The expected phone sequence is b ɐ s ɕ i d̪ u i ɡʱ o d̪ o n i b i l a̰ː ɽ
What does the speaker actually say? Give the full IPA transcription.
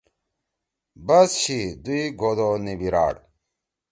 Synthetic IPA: b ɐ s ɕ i d̪ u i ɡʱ o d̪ o n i b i ɾ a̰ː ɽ